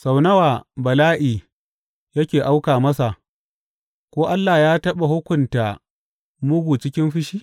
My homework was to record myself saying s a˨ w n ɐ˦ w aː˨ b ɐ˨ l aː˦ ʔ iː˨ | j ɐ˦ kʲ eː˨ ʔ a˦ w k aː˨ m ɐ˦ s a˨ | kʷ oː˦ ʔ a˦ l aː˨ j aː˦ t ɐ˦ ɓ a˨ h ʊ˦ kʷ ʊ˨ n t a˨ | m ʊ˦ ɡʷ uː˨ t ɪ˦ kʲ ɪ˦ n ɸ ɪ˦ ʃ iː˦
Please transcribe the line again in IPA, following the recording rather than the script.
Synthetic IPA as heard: s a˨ w n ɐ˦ w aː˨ b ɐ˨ l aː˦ ʔ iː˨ | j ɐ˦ kʲ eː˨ ʔ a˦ w k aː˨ m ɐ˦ s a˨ | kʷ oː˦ ʔ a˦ lː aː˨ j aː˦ t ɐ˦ ɓ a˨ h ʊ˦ kʷ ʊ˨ n t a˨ | m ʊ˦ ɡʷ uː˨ t͡ʃ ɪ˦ kʲ ɪ˦ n ɸ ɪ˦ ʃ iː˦